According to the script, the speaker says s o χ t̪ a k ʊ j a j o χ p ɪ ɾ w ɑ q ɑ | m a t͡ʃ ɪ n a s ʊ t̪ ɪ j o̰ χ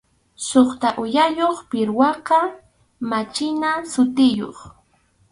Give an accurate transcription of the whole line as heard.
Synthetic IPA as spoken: s o χ t̪ a ʔ ʊ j a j o χ p ɪ ɾ w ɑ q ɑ | m a t͡ʃ ɪ n a s ʊ t̪ ɪ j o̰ χ